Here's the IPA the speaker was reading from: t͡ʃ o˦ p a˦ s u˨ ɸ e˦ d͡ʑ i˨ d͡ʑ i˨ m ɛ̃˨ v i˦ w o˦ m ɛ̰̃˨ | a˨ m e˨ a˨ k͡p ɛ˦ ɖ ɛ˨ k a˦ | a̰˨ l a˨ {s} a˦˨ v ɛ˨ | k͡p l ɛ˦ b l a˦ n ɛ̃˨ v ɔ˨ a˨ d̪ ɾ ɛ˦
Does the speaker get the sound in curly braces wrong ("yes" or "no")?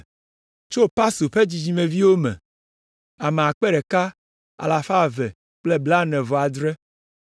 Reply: yes